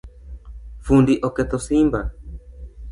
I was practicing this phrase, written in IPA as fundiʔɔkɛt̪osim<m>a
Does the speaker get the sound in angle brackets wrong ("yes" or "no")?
yes